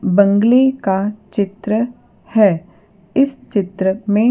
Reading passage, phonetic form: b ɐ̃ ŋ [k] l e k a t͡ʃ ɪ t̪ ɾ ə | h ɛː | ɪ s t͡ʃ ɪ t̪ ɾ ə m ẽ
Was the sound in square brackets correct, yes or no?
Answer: no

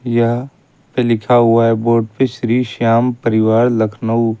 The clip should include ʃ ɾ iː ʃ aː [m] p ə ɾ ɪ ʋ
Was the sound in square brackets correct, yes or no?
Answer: yes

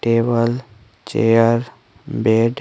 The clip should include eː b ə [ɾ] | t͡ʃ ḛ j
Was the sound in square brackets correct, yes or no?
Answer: no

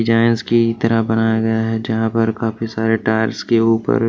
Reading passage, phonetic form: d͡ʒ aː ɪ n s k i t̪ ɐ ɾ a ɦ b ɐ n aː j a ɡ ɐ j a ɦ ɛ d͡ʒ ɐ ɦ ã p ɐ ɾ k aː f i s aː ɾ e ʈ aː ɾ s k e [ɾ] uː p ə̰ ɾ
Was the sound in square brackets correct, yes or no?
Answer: no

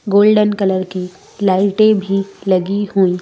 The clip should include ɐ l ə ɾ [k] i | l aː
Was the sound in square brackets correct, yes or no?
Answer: yes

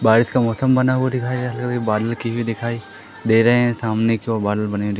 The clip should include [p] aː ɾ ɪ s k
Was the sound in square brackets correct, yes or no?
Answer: no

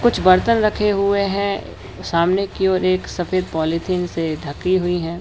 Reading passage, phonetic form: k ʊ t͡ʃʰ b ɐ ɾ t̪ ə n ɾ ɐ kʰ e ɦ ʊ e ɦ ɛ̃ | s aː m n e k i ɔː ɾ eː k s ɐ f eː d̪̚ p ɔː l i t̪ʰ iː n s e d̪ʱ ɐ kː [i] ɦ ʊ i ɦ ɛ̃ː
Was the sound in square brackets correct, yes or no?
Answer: yes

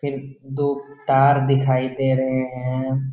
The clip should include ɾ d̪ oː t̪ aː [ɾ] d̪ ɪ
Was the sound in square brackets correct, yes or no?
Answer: yes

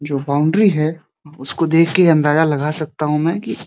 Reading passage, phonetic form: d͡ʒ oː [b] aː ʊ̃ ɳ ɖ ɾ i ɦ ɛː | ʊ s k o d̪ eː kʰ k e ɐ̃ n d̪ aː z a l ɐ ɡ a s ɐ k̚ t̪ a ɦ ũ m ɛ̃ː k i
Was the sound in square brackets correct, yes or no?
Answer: yes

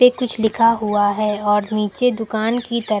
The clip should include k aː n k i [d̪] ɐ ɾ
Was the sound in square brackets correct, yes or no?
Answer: no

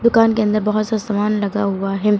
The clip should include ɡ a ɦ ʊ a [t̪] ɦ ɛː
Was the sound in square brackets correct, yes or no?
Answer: no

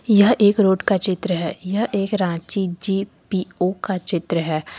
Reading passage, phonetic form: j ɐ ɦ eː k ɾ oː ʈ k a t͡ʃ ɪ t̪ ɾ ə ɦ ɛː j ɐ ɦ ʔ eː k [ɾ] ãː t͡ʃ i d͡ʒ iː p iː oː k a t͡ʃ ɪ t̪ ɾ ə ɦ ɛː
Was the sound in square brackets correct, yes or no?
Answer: yes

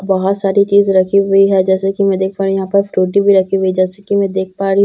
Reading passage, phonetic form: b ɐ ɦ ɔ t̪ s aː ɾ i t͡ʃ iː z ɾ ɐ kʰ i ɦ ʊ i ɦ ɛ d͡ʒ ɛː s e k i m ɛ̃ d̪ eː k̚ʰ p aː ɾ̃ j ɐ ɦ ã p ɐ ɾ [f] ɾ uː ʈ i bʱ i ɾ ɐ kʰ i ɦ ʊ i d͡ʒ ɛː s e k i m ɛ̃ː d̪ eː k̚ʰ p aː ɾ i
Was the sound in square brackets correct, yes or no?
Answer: yes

